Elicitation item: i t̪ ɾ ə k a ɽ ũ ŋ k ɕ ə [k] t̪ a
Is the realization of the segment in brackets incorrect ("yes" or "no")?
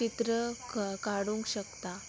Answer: no